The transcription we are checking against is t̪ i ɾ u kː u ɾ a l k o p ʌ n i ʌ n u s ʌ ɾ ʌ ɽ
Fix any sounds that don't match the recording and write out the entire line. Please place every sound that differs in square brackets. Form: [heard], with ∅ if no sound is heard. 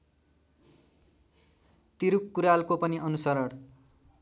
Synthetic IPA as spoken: t̪ i ɾ u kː u ɾ a l k o p ʌ n i ʌ n u s ʌ ɾ ʌ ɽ